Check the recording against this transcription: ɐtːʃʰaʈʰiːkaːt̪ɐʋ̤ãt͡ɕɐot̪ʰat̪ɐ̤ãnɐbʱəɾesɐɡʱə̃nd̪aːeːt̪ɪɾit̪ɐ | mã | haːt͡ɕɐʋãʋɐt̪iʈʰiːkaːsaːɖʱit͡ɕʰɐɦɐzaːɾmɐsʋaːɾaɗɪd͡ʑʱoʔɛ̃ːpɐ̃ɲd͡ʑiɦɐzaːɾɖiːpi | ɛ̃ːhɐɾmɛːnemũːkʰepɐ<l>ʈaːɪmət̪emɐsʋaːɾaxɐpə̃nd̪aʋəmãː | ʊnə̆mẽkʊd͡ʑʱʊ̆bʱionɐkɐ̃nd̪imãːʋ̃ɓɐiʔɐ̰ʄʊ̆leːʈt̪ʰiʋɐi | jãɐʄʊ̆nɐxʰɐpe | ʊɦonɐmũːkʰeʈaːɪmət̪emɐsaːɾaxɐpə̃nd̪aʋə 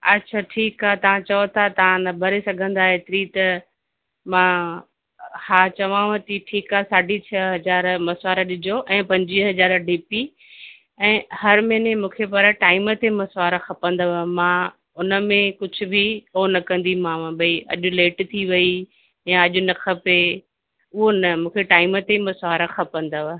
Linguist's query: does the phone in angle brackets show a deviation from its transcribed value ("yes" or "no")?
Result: yes